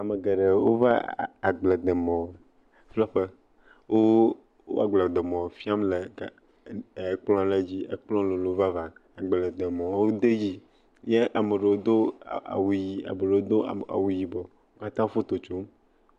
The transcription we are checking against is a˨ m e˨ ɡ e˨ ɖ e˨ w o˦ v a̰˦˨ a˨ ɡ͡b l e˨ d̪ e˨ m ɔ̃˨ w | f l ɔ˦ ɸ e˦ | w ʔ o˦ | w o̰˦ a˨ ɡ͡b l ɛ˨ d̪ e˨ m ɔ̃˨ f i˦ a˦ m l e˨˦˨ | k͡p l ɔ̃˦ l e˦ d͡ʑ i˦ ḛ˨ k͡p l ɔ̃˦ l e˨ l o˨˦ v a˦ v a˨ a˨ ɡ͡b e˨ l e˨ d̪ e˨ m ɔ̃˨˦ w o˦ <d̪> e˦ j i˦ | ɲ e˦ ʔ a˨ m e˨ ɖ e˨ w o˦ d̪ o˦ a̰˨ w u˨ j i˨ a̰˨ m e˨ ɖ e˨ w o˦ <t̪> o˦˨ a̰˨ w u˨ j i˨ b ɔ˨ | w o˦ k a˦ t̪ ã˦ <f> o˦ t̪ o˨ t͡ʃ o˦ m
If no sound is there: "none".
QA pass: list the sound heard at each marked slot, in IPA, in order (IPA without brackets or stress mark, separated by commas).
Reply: d̪, d̪, f